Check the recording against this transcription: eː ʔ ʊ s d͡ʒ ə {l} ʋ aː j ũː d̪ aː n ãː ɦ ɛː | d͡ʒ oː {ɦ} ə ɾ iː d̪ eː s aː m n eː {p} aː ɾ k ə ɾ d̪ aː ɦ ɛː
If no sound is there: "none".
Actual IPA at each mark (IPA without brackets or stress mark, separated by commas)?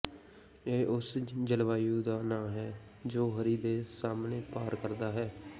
l, ɦ, p